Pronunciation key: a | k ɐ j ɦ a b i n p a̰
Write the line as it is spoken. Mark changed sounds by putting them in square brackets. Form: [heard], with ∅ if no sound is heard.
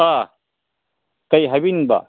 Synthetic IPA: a | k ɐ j ɦ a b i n [b] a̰